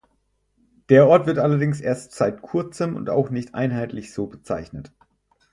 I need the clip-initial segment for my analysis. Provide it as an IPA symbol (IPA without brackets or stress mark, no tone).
d̥